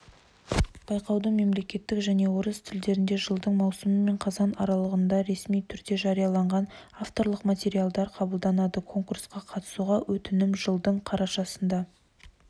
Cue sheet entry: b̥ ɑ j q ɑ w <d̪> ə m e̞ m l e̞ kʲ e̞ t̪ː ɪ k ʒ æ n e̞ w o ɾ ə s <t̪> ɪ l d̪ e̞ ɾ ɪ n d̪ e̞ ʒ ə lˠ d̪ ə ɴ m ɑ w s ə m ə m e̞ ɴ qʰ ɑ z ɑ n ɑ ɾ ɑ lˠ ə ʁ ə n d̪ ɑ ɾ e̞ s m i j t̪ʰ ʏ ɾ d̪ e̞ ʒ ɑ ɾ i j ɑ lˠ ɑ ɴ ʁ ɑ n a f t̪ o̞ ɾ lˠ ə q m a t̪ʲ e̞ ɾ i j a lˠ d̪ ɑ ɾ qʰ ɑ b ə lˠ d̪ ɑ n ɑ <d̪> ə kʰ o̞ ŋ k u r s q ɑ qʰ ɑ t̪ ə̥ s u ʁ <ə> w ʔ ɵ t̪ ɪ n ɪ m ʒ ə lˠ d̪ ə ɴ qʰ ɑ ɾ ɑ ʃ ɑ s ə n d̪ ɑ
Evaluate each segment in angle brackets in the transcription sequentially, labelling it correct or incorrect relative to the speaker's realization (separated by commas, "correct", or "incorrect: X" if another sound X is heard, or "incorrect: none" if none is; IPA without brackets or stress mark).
correct, incorrect: t̪ʰ, correct, incorrect: ɑ